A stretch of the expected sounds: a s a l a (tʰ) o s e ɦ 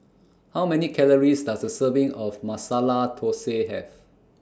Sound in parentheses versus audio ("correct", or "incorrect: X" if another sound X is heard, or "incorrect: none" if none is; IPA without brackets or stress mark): correct